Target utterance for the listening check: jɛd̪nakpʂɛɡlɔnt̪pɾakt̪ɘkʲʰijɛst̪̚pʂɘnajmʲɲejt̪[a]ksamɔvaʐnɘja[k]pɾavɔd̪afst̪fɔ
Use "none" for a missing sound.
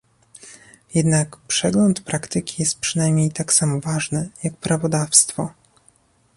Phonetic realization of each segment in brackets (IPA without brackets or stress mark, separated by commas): a, k